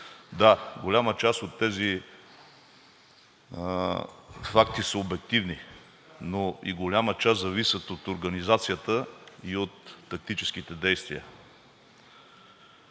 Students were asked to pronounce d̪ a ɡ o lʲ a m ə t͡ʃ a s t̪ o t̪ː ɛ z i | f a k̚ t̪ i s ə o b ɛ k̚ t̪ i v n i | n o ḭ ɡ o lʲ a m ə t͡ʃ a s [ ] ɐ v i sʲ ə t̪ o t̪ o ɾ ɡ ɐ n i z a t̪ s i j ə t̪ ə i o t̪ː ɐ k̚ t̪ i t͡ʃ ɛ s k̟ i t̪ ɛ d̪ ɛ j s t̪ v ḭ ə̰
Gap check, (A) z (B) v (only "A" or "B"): A